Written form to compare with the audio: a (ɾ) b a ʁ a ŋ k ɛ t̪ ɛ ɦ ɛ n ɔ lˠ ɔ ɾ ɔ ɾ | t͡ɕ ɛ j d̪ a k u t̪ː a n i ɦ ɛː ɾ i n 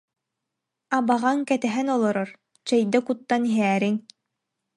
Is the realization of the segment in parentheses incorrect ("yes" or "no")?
yes